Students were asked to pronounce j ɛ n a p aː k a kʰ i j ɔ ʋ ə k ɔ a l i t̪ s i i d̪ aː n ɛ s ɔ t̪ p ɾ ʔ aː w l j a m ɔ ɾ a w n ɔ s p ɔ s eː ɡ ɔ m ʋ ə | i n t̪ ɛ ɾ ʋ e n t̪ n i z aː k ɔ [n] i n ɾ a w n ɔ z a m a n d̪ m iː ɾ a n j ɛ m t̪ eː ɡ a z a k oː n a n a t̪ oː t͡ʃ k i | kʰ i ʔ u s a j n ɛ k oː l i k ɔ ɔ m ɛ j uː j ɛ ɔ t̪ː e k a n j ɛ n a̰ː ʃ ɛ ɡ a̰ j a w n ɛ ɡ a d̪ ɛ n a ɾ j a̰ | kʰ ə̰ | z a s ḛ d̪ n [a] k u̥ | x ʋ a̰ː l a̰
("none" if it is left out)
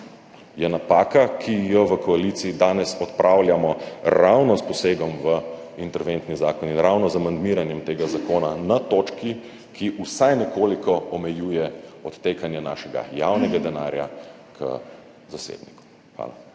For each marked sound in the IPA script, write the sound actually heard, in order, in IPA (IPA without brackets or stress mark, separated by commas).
n, i